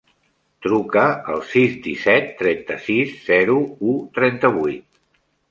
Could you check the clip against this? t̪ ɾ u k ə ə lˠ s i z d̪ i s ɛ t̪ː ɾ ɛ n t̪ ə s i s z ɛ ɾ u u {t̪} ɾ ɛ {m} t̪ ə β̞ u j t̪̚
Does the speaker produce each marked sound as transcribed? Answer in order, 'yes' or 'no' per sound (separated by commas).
yes, no